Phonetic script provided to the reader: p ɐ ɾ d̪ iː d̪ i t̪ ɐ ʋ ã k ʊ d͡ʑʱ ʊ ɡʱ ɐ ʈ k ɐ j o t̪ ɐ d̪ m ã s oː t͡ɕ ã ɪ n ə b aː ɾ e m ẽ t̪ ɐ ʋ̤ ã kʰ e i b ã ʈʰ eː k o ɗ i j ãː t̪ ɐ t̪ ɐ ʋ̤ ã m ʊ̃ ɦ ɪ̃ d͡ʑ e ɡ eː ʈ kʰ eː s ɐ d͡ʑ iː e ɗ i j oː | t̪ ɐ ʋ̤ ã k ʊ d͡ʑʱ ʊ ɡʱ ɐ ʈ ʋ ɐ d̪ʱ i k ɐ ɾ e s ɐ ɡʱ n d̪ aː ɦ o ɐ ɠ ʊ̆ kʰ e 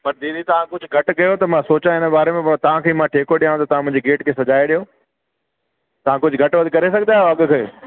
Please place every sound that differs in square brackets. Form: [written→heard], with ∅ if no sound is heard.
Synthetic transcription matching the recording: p ɐ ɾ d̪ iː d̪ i t̪ ɐ ʋ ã k ʊ d͡ʑʱ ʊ ɡʱ ɐ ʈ k ɐ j o t̪ ɐ [d̪→∅] m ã s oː t͡ɕ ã ɪ n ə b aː ɾ e m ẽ t̪ ɐ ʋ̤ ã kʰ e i [b→m] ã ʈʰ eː k o ɗ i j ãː t̪ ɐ t̪ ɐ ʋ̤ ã m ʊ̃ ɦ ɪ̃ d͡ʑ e ɡ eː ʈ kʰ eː s ɐ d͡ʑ [iː→aː] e ɗ i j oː | t̪ ɐ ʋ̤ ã k ʊ d͡ʑʱ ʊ ɡʱ ɐ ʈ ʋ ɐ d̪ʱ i k ɐ ɾ e s ɐ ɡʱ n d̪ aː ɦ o ɐ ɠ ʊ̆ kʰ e